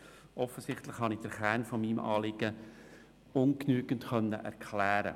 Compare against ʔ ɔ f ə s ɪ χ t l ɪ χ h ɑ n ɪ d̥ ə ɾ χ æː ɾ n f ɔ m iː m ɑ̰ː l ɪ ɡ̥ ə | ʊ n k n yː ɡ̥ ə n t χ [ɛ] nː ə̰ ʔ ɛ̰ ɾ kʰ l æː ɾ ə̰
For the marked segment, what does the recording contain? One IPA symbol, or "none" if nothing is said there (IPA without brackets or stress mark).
œ